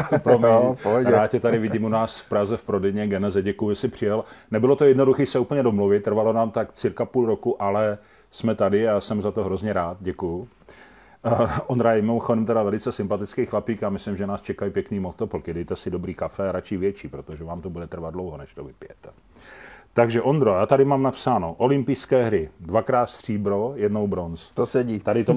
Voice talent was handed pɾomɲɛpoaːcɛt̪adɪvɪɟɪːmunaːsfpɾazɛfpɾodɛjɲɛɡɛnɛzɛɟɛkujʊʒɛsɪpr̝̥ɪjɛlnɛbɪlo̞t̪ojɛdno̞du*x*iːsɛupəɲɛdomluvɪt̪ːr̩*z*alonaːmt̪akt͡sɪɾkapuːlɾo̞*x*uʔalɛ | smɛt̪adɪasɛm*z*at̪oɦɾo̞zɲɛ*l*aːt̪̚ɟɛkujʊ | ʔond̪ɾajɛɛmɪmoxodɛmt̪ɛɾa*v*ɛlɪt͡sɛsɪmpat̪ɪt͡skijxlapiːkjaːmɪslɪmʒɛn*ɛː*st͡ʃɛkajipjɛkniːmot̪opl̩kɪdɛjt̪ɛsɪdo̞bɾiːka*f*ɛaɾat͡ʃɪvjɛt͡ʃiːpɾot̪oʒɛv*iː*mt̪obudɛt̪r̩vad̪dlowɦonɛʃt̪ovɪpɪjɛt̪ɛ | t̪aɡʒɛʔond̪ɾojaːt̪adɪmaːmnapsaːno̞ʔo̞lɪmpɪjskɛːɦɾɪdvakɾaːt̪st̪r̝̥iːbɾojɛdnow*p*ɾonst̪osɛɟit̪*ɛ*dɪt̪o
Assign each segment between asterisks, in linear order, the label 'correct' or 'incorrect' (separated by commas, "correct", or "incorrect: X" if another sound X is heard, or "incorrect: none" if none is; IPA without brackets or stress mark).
correct, incorrect: v, incorrect: k, correct, incorrect: ɾ, correct, incorrect: aː, correct, incorrect: aː, incorrect: b, incorrect: a